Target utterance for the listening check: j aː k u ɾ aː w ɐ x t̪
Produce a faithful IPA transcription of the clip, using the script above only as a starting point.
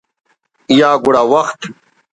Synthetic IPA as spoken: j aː ɡ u ɽ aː w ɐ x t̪

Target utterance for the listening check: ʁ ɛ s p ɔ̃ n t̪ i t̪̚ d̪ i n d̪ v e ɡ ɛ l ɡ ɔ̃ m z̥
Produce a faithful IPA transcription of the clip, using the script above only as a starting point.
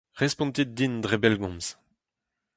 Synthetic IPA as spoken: ʁ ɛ s p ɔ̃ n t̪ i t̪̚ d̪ i n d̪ ʁ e b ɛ l ɡ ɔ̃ m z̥

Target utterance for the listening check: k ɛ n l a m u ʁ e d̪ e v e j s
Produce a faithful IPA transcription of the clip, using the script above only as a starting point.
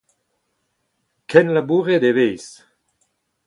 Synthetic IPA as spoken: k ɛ n l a b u ʁ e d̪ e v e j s

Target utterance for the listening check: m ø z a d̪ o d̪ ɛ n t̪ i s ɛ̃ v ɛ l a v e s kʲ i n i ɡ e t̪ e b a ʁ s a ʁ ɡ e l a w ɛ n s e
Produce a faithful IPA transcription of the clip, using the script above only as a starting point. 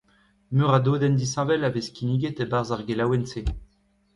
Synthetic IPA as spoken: m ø ʁ a d̪ o d̪ ɛ n d̪ i s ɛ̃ v ɛ l a v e s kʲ i n i ɡ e t̪ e b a ʁ z a ʁ ɡ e l a w ɛ n s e

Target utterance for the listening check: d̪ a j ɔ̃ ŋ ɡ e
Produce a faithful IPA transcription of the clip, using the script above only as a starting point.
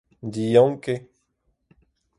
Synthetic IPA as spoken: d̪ i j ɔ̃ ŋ k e

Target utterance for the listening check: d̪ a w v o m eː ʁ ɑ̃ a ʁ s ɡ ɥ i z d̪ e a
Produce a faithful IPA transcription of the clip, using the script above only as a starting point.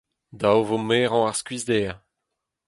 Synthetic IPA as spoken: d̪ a w v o m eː ʁ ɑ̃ a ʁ s k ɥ i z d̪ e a

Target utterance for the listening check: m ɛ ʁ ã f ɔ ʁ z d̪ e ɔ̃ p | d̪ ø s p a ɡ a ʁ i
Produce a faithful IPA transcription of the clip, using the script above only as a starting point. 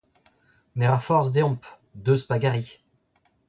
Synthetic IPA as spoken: n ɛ ʁ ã f ɔ ʁ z d̪ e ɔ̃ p | d̪ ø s p a ɡ a ʁ i

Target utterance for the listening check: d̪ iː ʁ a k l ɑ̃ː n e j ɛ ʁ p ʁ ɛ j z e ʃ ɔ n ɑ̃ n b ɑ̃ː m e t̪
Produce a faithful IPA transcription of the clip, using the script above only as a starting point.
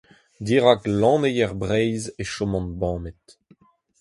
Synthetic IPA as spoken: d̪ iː ʁ a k l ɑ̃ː n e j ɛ ʁ b ʁ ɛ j z e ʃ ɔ m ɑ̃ n b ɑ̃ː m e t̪

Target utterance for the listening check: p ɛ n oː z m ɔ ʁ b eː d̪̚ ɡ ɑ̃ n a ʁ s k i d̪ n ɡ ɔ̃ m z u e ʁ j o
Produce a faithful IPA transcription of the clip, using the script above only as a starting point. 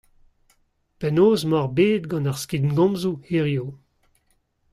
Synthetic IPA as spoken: p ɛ n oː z m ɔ ʁ b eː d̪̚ ɡ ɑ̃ n a ʁ s k i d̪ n ɡ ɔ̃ m z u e ʁ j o

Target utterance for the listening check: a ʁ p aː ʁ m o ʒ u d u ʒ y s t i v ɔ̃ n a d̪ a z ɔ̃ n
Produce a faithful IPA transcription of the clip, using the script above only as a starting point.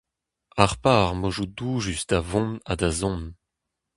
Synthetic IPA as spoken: a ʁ p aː ʁ m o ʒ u d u ʒ y s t a v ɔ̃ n a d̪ a z ɔ̃ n

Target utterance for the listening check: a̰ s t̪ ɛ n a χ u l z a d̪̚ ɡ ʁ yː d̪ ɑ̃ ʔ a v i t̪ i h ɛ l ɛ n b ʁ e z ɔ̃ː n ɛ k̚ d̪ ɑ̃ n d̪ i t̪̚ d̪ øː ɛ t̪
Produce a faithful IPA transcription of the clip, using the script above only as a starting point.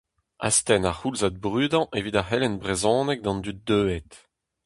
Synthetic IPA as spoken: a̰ s t̪ ɛ n a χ u l z a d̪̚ b ʁ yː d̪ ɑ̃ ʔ e v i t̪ a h ɛ l ɛ n b ʁ e z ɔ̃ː n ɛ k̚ d̪ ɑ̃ n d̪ y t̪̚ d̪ øː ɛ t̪

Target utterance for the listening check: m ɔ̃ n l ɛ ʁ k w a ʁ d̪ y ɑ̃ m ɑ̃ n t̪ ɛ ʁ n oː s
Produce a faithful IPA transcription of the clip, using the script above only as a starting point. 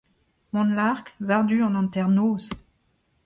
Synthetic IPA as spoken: m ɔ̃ n l a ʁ k v a ʁ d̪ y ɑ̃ n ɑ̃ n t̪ ɛ ʁ n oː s

